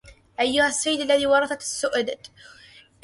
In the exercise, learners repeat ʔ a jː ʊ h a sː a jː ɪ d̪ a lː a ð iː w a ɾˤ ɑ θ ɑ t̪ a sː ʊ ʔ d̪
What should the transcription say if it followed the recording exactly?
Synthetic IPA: ʔ a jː ʊ h a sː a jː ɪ d̪ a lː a ð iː w ɑ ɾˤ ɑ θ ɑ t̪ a sː ʊ ʔ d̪